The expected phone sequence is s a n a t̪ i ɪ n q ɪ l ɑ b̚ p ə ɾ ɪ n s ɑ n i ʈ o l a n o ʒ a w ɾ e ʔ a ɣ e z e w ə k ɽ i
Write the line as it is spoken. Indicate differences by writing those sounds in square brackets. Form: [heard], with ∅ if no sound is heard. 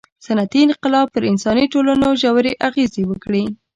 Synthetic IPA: s a n a t̪ i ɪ n q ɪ l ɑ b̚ p ə ɾ ɪ n s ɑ n i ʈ o l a n o ʒ a w ɾ e ʔ a ɣ e z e w ə k ɽ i